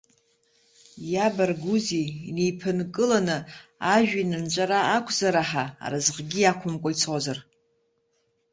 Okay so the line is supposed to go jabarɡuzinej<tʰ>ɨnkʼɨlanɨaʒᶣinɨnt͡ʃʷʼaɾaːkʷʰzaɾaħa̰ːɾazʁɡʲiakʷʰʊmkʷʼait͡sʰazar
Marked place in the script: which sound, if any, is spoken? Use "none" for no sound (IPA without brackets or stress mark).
pʰ